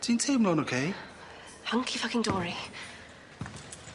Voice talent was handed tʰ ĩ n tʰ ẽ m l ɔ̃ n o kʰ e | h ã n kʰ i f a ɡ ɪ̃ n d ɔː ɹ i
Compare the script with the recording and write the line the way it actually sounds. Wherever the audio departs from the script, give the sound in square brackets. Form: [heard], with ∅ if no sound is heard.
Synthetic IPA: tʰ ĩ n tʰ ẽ m l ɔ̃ n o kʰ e | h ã [ŋ] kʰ i f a [k] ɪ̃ [ŋ] d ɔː ɹ i